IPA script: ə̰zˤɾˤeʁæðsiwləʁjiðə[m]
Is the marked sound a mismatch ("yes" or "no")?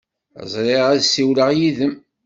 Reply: no